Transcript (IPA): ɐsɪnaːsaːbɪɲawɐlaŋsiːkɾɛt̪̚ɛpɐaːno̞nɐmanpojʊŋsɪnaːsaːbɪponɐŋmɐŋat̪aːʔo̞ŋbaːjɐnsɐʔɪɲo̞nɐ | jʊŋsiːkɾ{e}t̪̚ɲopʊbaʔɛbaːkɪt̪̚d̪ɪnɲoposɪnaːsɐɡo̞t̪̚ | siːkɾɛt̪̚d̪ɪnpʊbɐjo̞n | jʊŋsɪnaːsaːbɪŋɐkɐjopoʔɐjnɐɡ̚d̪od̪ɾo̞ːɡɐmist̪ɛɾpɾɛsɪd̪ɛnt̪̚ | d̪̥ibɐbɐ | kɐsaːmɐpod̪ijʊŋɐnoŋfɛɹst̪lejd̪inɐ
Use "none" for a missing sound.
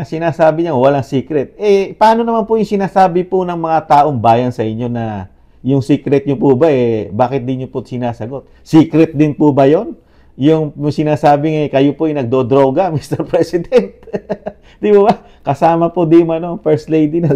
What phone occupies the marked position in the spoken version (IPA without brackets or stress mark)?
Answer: ɛ